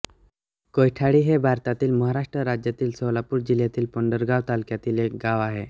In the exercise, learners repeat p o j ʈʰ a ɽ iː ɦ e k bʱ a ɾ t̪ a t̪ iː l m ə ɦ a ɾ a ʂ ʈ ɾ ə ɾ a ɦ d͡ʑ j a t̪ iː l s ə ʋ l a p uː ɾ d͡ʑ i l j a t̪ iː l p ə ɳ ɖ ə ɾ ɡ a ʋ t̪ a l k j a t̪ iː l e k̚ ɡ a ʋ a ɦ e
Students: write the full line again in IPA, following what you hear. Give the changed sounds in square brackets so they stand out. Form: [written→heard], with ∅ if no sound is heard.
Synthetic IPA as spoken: [p→k] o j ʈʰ a ɽ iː ɦ e [k→∅] bʱ a ɾ t̪ a t̪ iː l m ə ɦ a ɾ a ʂ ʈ ɾ ə ɾ a [ɦ→∅] d͡ʑ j a t̪ iː l s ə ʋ l a p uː ɾ d͡ʑ i l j a t̪ iː l p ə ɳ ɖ ə ɾ ɡ a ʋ t̪ a l k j a t̪ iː l e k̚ ɡ a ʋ a ɦ e